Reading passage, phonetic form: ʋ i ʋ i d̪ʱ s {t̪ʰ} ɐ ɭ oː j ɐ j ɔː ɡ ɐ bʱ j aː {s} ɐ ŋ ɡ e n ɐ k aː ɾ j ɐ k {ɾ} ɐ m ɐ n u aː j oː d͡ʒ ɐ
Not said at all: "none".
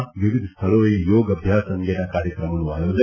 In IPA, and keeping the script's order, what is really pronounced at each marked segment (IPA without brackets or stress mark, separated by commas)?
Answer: t̪ʰ, s, ɾ